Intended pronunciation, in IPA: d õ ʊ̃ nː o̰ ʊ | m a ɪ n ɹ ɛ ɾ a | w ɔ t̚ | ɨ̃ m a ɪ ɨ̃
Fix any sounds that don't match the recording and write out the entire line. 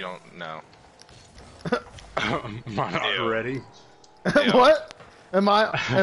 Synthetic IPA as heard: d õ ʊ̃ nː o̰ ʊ | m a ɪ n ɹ ɛ ɾ i | w ʌ t̚ | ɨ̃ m a ɪ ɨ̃